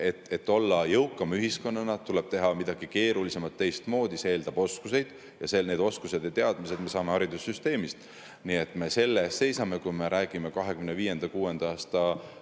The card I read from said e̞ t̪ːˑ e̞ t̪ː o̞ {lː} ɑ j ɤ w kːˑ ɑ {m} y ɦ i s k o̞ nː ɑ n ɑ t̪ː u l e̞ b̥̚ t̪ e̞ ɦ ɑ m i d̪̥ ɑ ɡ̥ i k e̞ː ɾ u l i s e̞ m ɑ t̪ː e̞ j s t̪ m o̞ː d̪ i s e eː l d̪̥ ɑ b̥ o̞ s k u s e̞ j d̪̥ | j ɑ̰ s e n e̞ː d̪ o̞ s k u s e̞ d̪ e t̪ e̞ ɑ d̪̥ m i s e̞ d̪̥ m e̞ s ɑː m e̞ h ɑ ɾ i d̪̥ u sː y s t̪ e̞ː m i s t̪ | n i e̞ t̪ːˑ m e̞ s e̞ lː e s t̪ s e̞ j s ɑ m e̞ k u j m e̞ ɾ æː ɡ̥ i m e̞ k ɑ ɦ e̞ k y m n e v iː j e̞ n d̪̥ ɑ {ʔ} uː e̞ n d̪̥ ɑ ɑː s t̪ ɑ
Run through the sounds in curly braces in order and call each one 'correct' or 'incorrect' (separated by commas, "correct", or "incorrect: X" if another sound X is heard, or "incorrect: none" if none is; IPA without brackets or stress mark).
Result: correct, correct, incorrect: k